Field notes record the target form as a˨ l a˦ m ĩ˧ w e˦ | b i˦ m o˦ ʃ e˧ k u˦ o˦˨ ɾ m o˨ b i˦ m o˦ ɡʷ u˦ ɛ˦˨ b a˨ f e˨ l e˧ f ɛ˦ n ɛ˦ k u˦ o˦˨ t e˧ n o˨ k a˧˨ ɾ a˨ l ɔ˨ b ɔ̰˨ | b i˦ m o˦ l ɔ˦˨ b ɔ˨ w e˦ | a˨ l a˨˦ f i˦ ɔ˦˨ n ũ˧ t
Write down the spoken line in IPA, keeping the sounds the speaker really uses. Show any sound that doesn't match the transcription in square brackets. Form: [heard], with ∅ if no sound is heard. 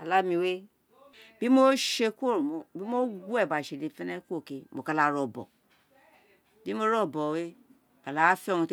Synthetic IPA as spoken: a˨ l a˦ m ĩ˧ w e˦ | b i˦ m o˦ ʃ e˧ k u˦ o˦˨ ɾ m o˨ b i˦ m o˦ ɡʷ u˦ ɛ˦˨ b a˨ [ʃ] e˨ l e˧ f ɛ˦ n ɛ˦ k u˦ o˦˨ [k] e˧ [m] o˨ k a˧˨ [l] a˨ [ɾ] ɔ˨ b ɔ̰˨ | b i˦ m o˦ [ɾ] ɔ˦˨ b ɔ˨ w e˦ | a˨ l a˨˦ f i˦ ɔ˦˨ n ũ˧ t